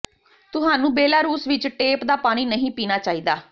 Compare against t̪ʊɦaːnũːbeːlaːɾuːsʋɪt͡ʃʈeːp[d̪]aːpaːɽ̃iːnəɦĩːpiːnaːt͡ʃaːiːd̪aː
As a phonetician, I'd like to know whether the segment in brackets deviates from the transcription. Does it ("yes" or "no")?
no